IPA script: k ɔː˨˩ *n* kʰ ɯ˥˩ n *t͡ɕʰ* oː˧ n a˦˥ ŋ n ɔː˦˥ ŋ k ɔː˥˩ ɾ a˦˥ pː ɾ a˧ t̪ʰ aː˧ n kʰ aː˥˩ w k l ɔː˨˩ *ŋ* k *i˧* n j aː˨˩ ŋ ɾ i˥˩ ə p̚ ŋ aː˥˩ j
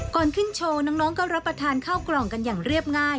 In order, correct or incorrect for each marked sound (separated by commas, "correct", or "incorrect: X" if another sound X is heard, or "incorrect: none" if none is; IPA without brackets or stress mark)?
correct, correct, correct, incorrect: a˧